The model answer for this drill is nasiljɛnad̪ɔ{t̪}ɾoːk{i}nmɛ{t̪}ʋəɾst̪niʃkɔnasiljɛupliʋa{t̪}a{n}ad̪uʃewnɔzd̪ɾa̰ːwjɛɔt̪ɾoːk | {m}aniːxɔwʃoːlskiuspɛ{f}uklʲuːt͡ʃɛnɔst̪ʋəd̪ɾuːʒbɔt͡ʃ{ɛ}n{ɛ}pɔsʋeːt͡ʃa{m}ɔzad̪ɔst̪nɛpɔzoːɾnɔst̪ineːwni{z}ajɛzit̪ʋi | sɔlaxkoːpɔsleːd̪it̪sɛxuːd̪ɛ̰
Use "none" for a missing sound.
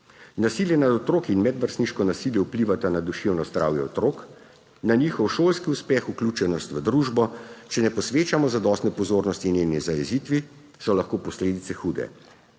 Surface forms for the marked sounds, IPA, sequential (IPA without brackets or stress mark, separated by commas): t̪, i, d̪, t̪, n, n, x, ɛ, ɛ, m, z